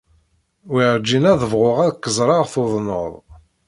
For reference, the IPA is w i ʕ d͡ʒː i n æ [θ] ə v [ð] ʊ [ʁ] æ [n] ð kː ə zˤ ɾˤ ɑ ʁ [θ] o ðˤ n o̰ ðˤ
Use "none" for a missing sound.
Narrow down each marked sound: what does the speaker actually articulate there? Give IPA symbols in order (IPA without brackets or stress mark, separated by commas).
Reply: ð, ʁ, ʁ, none, θ